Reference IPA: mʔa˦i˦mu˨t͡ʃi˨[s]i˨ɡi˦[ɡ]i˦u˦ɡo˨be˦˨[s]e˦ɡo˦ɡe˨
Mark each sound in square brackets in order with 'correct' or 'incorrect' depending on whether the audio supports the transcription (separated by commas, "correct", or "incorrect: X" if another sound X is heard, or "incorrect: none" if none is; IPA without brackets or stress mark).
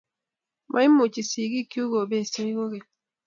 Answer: correct, incorrect: k, correct